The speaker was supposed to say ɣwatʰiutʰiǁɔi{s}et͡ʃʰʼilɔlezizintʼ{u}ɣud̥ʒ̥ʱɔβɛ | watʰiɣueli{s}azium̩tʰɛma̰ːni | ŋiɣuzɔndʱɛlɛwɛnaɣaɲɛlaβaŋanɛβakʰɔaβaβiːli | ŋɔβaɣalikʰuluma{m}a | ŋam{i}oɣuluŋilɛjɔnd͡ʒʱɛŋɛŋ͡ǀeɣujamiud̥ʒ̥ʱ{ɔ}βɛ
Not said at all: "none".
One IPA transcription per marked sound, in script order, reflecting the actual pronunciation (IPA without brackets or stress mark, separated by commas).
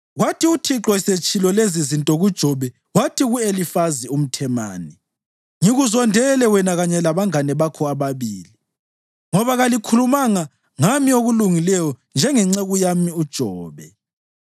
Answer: s, ɔ, f, ŋ, i, ɔː